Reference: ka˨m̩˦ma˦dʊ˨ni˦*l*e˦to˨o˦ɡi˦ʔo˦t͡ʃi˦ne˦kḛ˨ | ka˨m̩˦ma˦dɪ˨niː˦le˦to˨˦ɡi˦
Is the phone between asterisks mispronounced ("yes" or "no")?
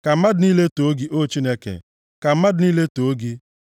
no